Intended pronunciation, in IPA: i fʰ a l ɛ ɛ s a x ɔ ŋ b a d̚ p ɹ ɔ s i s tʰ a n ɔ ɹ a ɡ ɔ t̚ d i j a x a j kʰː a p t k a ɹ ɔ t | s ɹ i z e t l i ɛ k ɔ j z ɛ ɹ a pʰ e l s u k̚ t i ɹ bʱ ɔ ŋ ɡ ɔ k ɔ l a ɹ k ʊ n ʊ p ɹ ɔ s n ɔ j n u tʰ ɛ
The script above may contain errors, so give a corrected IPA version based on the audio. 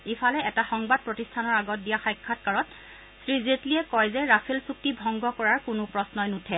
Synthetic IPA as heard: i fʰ a l ɛ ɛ t a x ɔ ŋ b a d̚ p ɹ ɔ t i s tʰ a n ɔ ɹ a ɡ ɔ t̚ d i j a x a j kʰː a t k a ɹ ɔ t | s ɹ i z e t l i ɛ k ɔ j z ɛ ɹ a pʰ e l s u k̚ t i bʱ ɔ ŋ ɡ ɔ k ɔ ɹ a ɹ k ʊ n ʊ p ɹ ɔ s n ɔ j n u tʰ ɛ